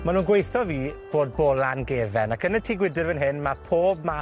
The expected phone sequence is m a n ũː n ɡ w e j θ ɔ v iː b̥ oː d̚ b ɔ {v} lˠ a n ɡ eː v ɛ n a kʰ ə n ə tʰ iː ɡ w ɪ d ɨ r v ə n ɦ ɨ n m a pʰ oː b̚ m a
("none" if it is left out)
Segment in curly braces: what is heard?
none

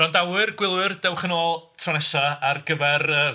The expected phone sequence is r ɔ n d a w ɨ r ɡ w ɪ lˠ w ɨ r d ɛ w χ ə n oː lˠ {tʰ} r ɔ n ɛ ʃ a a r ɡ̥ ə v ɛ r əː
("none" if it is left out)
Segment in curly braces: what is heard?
tʰ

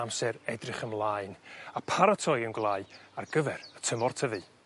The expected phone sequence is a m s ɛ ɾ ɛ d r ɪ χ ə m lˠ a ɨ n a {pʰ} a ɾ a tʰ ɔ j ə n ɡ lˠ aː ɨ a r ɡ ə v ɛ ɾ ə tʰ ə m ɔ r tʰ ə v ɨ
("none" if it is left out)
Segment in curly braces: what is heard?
pʰ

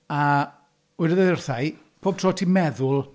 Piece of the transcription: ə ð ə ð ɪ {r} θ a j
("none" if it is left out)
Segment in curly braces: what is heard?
r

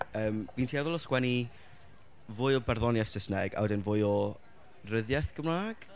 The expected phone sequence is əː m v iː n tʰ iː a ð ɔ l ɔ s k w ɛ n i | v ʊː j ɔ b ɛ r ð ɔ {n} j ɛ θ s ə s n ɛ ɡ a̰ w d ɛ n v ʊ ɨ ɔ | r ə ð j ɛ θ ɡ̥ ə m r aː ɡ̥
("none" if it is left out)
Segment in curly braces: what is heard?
n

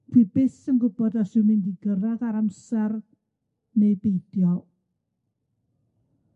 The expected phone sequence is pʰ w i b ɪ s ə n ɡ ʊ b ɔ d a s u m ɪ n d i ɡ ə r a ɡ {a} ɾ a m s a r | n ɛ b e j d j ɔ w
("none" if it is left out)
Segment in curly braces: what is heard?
a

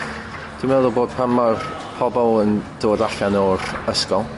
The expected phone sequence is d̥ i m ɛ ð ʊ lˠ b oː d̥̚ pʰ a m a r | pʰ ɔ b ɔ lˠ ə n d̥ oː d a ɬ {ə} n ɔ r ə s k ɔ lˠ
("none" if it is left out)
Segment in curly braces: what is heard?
a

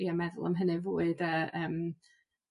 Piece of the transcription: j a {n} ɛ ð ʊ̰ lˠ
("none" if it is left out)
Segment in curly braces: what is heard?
m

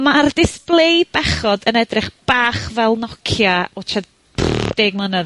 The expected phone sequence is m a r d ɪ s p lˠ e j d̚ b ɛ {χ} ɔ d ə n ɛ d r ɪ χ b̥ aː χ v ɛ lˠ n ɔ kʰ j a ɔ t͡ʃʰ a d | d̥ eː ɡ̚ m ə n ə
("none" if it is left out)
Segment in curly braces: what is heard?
χ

